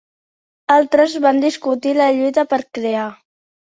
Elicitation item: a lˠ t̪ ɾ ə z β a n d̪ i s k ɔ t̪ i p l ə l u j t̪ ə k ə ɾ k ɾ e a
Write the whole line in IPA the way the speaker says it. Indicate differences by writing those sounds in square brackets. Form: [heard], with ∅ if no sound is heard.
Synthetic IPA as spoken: a lˠ t̪ ɾ ə z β a n d̪ i s k [u] t̪ i [∅] l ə [ʎ] u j t̪ ə [p] ə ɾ k ɾ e a